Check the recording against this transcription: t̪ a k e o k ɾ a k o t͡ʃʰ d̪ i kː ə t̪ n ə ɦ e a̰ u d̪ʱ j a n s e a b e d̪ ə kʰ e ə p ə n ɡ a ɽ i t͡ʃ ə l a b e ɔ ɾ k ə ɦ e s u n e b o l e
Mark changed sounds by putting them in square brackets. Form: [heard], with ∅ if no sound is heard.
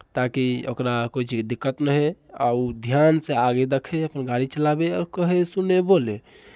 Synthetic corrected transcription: t̪ a k [i] o k ɾ a k o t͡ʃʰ d̪ i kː ə t̪ n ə ɦ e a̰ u d̪ʱ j a n s e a [ɡ] e d̪ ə kʰ e ə p ə n ɡ a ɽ i t͡ʃ ə l a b e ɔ ɾ k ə ɦ e s u n e b o l e